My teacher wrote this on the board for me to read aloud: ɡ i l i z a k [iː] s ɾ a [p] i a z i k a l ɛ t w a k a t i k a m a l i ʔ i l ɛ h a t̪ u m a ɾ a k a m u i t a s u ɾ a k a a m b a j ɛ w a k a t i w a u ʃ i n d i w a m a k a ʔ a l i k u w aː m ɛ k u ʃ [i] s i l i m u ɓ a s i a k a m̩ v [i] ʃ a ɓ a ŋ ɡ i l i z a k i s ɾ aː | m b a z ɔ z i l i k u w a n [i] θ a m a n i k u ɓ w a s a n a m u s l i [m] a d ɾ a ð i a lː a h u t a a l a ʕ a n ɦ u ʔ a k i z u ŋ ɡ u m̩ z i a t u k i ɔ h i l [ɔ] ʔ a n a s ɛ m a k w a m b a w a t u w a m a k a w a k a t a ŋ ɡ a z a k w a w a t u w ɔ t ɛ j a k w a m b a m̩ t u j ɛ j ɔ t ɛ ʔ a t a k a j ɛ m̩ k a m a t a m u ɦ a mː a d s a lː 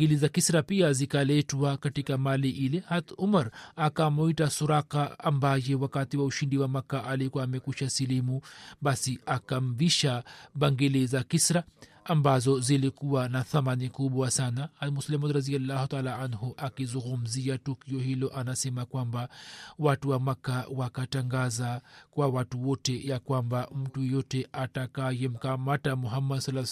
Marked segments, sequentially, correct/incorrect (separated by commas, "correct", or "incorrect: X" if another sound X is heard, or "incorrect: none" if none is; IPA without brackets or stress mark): incorrect: i, correct, incorrect: a, correct, incorrect: a, correct, correct